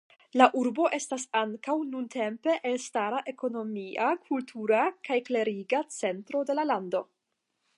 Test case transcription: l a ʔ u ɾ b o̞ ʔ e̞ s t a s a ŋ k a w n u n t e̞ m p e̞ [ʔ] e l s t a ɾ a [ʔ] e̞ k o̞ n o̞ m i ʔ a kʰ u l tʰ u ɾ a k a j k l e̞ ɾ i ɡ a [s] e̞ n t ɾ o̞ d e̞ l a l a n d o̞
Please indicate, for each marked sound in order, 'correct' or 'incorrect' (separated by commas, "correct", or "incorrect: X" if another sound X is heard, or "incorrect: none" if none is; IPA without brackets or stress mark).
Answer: correct, correct, incorrect: t͡s